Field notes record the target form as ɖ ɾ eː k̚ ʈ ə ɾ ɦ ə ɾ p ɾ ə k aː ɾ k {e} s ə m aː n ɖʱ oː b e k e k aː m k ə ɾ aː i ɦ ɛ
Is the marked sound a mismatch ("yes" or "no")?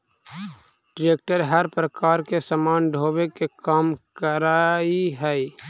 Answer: no